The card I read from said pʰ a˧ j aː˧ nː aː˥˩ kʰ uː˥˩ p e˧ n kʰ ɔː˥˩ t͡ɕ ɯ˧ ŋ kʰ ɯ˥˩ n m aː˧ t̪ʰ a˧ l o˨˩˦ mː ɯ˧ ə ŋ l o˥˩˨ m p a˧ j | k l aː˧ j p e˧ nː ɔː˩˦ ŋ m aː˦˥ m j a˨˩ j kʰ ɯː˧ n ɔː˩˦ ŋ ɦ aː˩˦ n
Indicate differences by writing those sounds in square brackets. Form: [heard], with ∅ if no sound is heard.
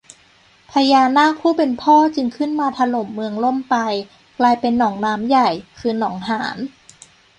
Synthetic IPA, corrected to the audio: pʰ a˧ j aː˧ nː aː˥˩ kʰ uː˥˩ p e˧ n [pʰ] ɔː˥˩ t͡ɕ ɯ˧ ŋ kʰ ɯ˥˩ n m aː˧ t̪ʰ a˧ l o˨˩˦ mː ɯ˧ ə ŋ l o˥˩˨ m p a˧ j | k l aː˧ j p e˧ nː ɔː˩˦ ŋ [n] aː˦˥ m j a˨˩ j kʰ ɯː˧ n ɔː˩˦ ŋ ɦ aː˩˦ n